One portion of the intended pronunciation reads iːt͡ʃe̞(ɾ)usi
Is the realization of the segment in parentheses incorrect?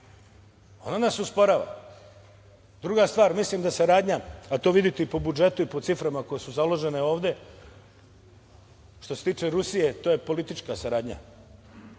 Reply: no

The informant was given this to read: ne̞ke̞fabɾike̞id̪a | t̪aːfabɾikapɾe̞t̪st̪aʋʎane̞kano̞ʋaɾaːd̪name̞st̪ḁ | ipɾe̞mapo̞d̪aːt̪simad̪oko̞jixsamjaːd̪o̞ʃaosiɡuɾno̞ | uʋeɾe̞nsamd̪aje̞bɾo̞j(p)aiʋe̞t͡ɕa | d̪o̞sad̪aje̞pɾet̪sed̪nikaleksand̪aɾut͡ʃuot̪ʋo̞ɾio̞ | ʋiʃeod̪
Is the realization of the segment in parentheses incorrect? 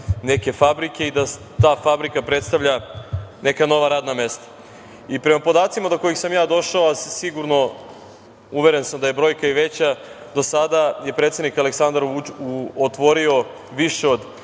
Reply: yes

